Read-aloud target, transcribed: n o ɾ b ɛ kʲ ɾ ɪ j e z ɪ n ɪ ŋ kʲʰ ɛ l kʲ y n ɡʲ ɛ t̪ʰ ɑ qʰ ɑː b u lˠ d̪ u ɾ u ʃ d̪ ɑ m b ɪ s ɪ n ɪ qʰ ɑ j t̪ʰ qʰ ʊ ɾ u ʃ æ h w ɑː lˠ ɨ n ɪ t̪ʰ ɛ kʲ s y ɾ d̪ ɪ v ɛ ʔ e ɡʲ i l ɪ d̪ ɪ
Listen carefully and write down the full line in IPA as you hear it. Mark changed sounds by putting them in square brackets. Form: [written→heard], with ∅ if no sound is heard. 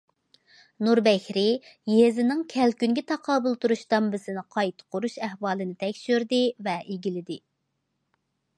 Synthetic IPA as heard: n [o→u] ɾ b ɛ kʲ ɾ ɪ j e z ɪ n ɪ ŋ kʲʰ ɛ l kʲ y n ɡʲ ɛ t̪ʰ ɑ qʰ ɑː b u lˠ [d̪→t̪] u ɾ u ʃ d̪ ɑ m b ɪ s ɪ n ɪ qʰ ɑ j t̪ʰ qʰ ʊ ɾ u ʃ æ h w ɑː lˠ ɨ n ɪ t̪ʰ ɛ kʲ [s→ʃ] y ɾ d̪ ɪ v ɛ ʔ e ɡʲ i l ɪ d̪ ɪ